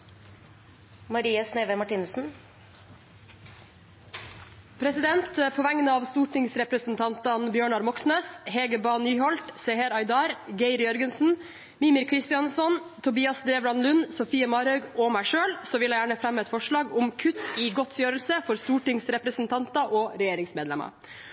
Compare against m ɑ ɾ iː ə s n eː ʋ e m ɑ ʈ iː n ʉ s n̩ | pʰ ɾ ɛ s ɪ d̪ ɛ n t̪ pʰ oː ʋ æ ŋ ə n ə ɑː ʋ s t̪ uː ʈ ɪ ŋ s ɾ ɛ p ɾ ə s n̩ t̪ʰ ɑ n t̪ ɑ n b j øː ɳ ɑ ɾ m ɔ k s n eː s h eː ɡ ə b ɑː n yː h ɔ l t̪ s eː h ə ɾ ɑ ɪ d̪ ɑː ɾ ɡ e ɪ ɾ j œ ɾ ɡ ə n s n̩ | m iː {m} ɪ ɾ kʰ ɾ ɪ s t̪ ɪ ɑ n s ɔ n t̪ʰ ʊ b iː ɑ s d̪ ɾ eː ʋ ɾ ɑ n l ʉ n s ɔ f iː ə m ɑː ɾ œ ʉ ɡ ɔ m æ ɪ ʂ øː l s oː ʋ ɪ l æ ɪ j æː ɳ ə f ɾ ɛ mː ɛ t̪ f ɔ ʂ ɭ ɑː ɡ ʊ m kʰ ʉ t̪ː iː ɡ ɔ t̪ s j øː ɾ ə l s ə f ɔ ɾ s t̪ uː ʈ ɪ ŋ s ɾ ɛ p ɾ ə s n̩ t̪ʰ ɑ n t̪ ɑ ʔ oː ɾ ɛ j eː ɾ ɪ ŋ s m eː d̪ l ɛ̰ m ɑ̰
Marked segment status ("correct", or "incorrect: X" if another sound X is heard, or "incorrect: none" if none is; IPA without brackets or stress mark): correct